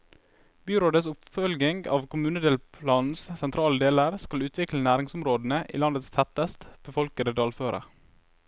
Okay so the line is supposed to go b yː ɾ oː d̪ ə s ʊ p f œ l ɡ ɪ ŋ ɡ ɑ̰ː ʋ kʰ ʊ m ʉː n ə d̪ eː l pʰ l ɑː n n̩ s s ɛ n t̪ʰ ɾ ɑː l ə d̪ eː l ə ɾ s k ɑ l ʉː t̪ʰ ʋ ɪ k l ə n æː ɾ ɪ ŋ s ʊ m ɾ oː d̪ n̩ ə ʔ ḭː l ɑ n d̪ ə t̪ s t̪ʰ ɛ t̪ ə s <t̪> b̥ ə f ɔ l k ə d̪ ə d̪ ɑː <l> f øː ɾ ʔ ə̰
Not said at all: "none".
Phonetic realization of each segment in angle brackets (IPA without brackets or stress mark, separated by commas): t̪, l